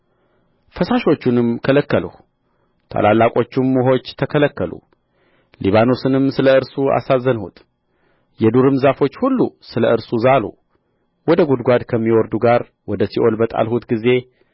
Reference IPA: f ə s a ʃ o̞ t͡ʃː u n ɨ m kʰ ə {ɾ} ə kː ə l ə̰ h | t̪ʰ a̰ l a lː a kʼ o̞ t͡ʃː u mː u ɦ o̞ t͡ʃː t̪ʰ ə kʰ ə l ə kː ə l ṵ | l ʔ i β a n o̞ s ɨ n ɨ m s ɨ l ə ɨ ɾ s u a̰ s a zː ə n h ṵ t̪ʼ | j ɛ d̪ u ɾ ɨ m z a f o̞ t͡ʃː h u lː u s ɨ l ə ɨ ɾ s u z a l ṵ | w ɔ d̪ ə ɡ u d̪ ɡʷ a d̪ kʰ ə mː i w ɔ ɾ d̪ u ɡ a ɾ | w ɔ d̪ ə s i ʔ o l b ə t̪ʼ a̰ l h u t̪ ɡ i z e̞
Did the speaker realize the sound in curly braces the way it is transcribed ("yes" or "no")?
no